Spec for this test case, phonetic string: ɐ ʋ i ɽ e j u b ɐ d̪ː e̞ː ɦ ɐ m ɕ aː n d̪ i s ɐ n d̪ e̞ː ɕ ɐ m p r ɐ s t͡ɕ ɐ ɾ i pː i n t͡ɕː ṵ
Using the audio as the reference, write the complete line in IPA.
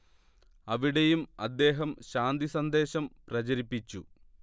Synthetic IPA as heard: ɐ ʋ i ɽ e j u m ɐ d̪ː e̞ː ɦ ɐ m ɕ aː n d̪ i s ɐ n d̪ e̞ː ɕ ɐ m p r ɐ t͡ɕ ɐ ɾ i pː i t͡ɕː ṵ

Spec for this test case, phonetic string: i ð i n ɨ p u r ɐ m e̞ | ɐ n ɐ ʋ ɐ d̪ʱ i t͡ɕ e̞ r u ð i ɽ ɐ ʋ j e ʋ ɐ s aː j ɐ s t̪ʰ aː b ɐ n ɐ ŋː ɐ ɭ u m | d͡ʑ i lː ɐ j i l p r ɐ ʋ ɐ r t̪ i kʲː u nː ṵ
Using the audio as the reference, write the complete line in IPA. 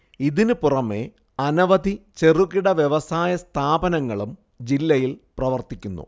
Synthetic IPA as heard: i ð i n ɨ p u r ɐ m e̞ | ɐ n ɐ ʋ ɐ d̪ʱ i t͡ɕ e̞ r u ɣ i ɽ ɐ ʋ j e ʋ ɐ s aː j ɐ s t̪ʰ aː b ɐ n ɐ ŋː ɐ ɭ u m | d͡ʑ i lː ɐ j i l p r ɐ ʋ ɐ r t̪ i kʲː u nː ṵ

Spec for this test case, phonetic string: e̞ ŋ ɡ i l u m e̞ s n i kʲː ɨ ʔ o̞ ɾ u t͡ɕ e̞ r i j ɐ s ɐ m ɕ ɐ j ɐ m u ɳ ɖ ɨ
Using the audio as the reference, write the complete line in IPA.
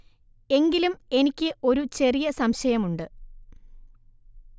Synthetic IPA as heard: e̞ ŋ ɡ i l u m e̞ n i kʲː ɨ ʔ o̞ ɾ u t͡ɕ e̞ r i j ɐ s ɐ m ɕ ɐ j ɐ m u ɳ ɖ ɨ

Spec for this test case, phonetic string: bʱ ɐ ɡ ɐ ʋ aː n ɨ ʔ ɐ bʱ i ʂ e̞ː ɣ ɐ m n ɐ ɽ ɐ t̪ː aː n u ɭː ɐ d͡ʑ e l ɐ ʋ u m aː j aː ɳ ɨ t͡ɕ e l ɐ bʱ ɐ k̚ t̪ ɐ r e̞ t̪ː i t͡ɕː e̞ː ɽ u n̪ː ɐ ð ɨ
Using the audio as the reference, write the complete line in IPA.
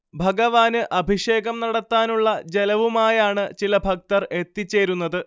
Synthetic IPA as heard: bʱ ɐ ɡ ɐ ʋ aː n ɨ ʔ ɐ bʱ i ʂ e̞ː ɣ ɐ m n ɐ ɽ ɐ t̪ː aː n u ɭː ɐ d͡ʑ e l ɐ ʋ u m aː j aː ɳ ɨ t͡ɕ i l ɐ bʱ ɐ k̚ t̪ ɐ r e̞ t̪ː i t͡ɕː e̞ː ɾ u n̪ː ɐ ð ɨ

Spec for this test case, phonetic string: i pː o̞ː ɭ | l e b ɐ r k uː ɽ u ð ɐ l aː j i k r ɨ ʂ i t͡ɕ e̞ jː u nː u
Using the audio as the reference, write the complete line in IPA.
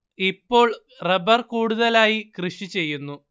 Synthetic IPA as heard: i pː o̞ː ɭ | r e b ɐ r k uː ɽ u ð ɐ l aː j i k r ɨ ʂ i t͡ɕ e̞ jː u nː u

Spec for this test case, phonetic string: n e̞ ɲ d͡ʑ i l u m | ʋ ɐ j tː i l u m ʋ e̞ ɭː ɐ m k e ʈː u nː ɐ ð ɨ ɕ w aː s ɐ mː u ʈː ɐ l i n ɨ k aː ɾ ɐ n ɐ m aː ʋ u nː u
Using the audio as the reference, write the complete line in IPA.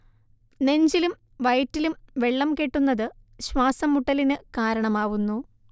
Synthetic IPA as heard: n e̞ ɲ d͡ʑ i l u m | ʋ ɐ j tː i l u m ʋ e̞ ɭː ɐ m k e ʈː u nː ɐ ð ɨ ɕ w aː s ɐ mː u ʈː ɐ l i n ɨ k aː ɾ ɐ ɳ ɐ m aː ʋ u nː u

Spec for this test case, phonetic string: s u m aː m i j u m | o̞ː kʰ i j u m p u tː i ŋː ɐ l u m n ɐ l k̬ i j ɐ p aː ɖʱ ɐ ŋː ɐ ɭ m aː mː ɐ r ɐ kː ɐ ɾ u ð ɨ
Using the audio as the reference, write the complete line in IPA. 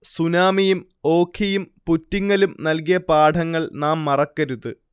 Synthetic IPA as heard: s u n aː m i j u m | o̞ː kʰ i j u m p u tː i ŋː ɐ l u m n ɐ l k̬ i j ɐ p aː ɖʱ ɐ ŋː ɐ ɭ n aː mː ɐ r ɐ kː ɐ ɾ u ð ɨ

